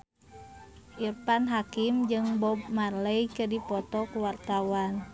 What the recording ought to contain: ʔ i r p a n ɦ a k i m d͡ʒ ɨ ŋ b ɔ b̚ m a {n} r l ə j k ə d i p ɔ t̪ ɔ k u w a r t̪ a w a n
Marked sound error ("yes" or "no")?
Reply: yes